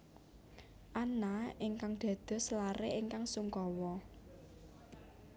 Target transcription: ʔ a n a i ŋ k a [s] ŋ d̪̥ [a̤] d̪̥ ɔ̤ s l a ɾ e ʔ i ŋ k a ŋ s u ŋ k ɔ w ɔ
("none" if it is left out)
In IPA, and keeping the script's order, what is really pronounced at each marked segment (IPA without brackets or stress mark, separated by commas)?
none, a̤